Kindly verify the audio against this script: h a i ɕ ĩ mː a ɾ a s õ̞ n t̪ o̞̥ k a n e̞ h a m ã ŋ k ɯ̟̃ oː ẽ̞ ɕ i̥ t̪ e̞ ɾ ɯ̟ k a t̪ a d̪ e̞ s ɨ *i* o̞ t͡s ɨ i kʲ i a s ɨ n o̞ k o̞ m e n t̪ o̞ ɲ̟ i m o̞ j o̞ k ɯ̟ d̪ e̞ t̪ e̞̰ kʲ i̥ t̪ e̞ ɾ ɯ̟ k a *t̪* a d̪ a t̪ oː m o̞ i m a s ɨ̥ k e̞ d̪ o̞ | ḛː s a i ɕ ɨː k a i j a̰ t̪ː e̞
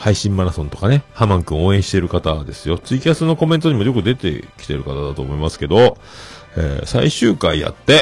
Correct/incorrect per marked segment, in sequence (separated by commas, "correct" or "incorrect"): incorrect, correct